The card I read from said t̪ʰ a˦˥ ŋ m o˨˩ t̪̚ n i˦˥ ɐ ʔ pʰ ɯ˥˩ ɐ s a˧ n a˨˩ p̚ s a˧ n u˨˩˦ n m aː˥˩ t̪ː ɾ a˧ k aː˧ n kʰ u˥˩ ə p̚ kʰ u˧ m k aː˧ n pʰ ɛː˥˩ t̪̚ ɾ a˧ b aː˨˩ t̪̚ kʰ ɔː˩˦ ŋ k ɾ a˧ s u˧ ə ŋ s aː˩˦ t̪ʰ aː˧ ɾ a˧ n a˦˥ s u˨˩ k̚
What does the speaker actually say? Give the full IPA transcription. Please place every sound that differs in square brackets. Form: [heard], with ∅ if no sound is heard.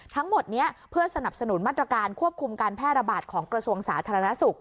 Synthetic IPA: t̪ʰ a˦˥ ŋ m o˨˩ t̪̚ n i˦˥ ɐ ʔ pʰ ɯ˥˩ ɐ s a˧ n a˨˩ p̚ s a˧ n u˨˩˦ n m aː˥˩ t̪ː ɾ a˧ k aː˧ n kʰ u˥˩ ə p̚ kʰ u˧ m k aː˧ n pʰ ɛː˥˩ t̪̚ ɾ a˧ b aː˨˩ t̪̚ kʰ ɔː˩˦ ŋ k ɾ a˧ s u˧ ə ŋ s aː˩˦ t̪ʰ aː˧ ɾ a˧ n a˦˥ s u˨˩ k̚